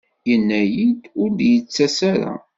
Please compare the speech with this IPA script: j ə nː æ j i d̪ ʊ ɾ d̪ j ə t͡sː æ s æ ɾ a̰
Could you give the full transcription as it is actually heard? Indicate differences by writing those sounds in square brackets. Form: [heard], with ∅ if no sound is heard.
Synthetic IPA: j ə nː æ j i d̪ ʊ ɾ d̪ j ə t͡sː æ s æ ɾ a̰